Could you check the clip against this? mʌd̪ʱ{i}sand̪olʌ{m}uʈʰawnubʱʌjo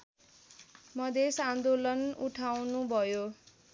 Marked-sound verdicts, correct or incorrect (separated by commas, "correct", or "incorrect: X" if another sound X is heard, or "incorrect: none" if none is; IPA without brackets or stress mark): incorrect: e, incorrect: n